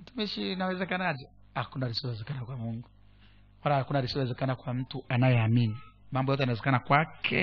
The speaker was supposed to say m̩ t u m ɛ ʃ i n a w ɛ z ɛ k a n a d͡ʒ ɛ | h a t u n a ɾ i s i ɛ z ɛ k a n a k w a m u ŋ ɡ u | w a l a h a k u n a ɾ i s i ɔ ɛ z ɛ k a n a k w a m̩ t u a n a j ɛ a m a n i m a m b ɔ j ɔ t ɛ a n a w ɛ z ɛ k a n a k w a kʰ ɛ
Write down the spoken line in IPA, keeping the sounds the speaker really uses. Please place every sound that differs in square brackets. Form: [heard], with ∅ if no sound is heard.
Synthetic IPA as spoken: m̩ t u m [i] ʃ i n a w ɛ z ɛ k a n a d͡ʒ ɛ | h a [k] u n a ɾ i s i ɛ z ɛ k a n a k w a m u ŋ ɡ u | w a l a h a k u n a ɾ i s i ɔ ɛ z ɛ k a n a k w a m̩ t u a n a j ɛ a m [i] n i m a m b ɔ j ɔ t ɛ a n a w ɛ z ɛ k a n a k w a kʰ ɛ